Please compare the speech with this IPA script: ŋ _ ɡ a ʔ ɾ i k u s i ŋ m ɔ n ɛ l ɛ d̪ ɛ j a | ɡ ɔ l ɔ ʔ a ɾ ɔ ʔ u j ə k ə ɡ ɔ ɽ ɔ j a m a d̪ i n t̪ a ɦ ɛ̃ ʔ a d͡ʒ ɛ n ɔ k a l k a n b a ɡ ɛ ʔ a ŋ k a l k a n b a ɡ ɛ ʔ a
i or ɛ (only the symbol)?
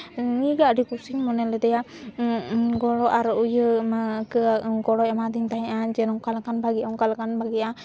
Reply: i